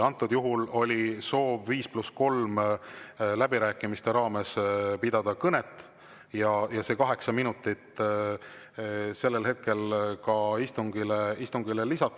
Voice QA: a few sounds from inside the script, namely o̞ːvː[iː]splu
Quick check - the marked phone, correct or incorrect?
correct